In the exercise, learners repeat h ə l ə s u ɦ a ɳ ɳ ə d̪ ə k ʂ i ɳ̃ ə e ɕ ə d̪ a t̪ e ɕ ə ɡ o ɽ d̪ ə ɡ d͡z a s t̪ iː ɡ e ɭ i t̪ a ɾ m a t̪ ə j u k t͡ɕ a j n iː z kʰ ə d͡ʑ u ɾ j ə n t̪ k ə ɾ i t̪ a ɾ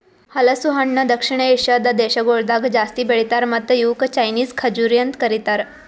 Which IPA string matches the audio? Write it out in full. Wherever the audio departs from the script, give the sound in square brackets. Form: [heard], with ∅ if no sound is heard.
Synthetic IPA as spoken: h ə l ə s u ɦ a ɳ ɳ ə d̪ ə k ʂ i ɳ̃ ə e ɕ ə d̪ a [d̪] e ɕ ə ɡ o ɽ d̪ [a] ɡ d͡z a s t̪ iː [b] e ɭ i t̪ a ɾ m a t̪ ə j u k t͡ɕ a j n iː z kʰ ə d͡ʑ u ɾ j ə n t̪ k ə ɾ i t̪ a ɾ